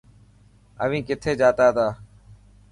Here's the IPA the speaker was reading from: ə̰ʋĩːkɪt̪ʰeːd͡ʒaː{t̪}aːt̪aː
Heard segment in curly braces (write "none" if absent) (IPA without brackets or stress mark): t̪